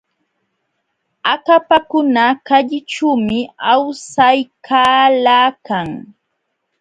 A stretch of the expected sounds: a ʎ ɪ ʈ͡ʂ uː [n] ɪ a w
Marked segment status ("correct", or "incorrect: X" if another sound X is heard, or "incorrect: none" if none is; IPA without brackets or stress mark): incorrect: m